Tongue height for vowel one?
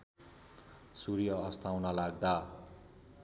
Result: high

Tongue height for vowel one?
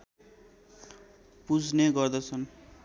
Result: high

